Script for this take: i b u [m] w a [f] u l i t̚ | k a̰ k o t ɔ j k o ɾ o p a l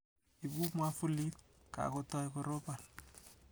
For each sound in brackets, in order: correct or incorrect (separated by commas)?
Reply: correct, correct